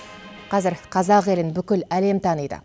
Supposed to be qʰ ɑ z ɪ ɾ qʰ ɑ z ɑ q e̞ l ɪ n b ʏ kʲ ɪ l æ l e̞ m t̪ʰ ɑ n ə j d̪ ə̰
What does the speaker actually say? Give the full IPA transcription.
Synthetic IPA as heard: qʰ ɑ z ɪ ɾ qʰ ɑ z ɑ q e̞ l ɪ n b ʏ kʲ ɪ l æ l e̞ m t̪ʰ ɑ n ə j d̪ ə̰